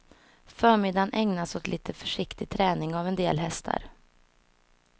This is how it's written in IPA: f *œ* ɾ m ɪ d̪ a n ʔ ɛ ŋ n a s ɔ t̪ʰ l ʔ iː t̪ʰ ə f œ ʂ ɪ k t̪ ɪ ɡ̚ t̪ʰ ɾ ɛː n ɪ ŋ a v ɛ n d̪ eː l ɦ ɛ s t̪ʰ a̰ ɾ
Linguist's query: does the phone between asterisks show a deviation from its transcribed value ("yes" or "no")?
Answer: yes